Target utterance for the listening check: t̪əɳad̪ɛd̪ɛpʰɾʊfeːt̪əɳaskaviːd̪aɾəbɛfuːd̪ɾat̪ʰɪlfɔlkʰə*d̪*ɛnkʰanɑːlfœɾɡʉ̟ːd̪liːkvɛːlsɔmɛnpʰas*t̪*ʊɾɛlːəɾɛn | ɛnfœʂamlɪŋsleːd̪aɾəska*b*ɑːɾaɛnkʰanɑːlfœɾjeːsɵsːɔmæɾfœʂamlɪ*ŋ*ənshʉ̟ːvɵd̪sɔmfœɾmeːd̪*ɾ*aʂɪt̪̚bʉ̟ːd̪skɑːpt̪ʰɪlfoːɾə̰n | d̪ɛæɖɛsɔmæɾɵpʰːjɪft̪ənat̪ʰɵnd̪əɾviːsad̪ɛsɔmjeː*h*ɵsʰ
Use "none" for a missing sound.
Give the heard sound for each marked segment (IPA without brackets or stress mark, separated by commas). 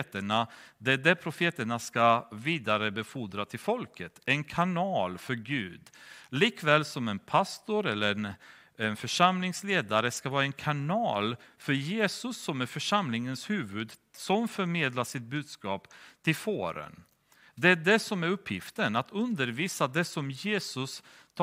t̪, t̪, v, ŋ, l, s